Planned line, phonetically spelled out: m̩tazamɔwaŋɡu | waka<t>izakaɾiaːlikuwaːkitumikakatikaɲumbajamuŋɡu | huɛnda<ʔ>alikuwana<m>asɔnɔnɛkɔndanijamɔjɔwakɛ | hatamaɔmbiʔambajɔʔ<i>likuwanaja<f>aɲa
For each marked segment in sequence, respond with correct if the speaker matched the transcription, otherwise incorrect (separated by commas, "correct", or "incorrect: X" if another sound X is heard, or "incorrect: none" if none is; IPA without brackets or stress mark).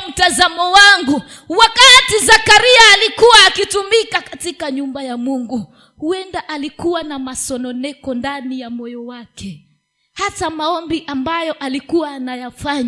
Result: correct, correct, correct, incorrect: a, correct